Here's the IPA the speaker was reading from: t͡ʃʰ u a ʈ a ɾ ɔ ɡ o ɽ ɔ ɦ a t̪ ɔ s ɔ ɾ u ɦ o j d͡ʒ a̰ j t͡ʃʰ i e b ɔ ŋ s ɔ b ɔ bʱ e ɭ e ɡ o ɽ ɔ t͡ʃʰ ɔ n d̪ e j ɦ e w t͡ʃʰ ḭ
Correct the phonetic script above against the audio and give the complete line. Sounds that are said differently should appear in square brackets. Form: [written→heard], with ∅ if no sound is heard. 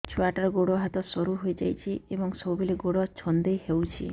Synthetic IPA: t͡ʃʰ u a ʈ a ɾ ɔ ɡ o ɽ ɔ ɦ a t̪ ɔ s ɔ ɾ u ɦ o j d͡ʒ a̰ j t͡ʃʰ i e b ɔ ŋ s ɔ b [ɔ→u] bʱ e [ɭ→l] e ɡ o ɽ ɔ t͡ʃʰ ɔ n d̪ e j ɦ e w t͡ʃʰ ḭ